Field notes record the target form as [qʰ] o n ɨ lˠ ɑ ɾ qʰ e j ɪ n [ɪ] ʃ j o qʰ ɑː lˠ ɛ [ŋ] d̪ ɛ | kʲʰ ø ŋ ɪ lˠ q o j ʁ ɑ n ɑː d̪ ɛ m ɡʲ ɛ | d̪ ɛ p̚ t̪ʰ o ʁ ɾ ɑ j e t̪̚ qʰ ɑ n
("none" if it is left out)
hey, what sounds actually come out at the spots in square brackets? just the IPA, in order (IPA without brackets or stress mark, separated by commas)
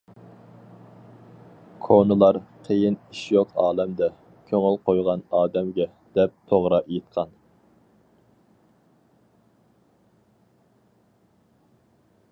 kʰ, i, m